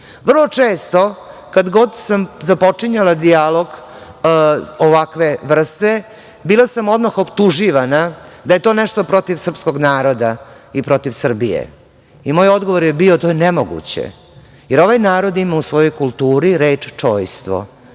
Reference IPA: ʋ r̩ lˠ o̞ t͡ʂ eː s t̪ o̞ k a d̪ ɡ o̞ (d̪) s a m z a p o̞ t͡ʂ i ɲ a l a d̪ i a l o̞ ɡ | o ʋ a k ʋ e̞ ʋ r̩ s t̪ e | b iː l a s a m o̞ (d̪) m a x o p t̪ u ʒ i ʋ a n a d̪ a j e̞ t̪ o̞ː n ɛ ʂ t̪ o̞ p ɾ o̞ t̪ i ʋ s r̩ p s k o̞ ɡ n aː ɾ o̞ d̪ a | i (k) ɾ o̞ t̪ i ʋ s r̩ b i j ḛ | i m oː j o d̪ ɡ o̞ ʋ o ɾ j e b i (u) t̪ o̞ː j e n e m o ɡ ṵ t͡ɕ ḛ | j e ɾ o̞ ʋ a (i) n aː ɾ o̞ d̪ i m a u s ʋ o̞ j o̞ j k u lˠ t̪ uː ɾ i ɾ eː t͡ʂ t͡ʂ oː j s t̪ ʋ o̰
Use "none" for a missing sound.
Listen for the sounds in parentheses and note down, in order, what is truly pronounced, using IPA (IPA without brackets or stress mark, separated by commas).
d̪, d̪, p, o, j